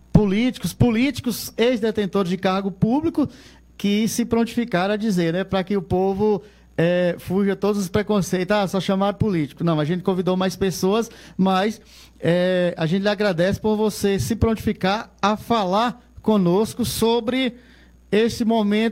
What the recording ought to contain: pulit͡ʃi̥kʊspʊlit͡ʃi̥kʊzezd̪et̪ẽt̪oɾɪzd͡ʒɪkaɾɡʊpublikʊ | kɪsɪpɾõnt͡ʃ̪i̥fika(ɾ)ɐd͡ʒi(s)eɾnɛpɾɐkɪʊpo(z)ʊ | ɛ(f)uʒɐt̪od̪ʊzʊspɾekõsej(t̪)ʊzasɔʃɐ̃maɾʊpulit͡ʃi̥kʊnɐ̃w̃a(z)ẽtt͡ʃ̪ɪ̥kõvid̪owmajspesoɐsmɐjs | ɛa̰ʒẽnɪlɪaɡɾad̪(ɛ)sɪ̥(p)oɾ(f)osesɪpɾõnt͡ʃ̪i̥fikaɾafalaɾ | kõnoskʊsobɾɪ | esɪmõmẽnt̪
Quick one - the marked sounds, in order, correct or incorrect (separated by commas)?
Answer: correct, incorrect, incorrect, correct, correct, incorrect, correct, correct, incorrect